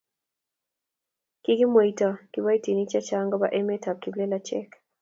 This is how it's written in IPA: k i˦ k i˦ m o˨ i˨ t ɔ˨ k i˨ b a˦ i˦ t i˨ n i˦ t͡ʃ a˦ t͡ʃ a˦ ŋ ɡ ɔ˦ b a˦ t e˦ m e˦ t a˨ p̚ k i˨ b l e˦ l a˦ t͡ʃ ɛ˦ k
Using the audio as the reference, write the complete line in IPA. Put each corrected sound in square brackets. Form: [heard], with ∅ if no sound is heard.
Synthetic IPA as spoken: k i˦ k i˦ m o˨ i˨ t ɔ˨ k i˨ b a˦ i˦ t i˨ n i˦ t͡ʃ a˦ t͡ʃ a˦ ŋ ɡ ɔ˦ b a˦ [ʔ] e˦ m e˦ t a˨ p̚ k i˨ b l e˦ l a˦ t͡ʃ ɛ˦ k